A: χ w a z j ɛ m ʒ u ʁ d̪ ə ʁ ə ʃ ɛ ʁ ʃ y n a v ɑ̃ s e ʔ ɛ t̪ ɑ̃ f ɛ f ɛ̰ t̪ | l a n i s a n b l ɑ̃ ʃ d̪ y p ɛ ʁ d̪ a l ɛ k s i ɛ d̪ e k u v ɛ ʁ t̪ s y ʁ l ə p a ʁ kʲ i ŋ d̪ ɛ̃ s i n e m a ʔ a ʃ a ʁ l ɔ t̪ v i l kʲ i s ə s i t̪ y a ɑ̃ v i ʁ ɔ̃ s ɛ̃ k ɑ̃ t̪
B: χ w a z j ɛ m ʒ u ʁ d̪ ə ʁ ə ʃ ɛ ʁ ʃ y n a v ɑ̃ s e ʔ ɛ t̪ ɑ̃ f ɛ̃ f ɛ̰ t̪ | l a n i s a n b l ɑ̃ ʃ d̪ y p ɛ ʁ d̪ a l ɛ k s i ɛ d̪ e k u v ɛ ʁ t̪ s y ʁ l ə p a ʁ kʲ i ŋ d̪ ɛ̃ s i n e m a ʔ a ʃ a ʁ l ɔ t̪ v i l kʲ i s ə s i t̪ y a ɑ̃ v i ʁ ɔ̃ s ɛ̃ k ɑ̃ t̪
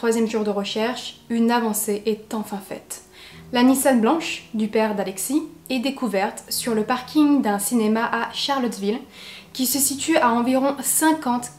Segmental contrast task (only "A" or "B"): B